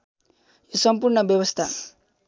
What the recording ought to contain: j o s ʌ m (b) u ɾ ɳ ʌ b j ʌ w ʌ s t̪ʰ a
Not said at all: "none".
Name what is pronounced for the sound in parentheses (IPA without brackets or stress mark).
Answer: p